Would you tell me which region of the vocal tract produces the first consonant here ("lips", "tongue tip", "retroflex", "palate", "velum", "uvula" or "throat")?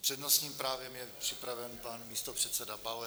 lips